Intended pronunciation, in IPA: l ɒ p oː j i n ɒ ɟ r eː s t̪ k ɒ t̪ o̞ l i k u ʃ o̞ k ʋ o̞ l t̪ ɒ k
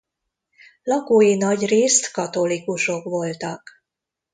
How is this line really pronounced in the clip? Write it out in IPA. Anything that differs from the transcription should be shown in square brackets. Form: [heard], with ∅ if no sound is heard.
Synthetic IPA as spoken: l ɒ [k] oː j i n ɒ ɟ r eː s t̪ k ɒ t̪ o̞ l i k u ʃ o̞ k ʋ o̞ l t̪ ɒ k